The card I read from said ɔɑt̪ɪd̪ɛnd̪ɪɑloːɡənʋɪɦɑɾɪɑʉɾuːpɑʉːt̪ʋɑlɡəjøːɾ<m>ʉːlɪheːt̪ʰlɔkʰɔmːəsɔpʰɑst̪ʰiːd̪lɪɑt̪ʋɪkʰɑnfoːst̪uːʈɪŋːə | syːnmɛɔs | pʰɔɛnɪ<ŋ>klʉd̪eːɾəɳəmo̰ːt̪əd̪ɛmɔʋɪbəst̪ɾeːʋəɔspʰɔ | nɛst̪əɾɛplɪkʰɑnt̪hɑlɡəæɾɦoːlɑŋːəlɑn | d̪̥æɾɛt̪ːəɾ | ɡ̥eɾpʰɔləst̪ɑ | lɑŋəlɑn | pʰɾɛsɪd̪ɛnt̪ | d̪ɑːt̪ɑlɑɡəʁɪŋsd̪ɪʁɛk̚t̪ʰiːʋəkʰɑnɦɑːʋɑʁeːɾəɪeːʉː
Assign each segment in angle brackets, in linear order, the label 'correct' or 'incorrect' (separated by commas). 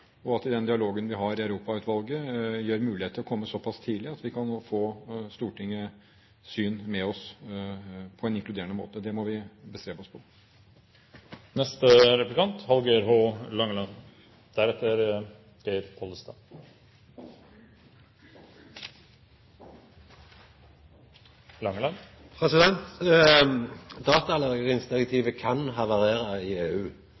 correct, correct